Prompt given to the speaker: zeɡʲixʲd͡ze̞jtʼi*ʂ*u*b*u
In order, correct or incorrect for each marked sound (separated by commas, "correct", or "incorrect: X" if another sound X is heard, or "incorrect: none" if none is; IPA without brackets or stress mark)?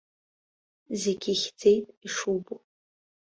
correct, correct